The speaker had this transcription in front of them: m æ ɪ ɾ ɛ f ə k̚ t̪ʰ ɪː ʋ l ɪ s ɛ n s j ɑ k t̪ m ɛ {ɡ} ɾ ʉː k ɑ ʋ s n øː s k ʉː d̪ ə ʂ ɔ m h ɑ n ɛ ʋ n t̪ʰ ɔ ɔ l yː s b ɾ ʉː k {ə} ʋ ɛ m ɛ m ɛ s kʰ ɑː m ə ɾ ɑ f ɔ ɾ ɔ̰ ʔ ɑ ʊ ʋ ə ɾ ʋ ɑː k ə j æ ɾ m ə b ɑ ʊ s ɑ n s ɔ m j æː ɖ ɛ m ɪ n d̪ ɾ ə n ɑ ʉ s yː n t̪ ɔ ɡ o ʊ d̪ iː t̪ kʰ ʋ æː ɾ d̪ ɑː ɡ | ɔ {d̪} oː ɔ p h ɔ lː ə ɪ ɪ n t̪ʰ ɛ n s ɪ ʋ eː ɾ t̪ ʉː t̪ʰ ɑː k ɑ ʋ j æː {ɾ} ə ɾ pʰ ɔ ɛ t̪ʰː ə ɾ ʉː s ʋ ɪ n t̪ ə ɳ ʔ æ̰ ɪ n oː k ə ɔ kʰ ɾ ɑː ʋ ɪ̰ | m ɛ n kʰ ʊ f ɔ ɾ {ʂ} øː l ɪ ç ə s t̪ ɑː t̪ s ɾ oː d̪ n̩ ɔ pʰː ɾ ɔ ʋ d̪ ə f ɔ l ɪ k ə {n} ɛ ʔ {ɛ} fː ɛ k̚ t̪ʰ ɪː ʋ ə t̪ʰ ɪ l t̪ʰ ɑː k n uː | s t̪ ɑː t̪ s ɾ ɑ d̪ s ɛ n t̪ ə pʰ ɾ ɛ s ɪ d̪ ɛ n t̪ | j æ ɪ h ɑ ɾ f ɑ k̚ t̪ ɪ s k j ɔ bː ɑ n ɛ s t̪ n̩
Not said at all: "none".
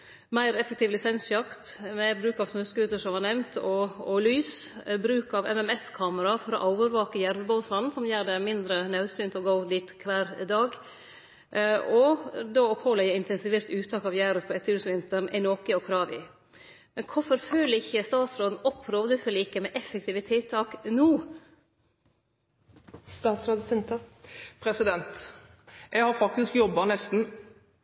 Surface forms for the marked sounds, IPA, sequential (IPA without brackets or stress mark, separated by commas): b, ɑ, d̪, ɾ, f, m, ɛ